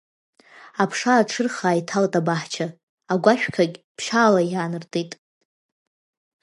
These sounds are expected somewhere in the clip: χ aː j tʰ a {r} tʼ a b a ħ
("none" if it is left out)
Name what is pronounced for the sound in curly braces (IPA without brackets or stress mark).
l